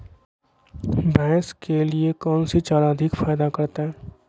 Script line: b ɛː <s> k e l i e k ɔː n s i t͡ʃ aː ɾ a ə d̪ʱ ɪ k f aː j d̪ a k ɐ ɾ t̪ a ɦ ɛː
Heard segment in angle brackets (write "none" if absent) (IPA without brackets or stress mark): s